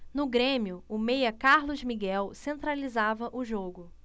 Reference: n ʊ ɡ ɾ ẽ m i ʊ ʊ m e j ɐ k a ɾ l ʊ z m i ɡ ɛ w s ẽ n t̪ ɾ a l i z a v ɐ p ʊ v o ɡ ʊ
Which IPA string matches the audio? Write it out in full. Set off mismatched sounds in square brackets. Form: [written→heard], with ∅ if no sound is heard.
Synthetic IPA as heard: n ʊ ɡ ɾ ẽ m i ʊ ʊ m e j ɐ k a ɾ l ʊ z m i ɡ ɛ w s ẽ n t̪ ɾ a l i z a v ɐ [p→ʔ] ʊ [v→ʒ] o ɡ ʊ